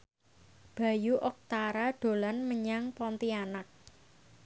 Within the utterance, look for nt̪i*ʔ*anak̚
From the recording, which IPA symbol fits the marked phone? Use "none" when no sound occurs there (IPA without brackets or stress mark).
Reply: none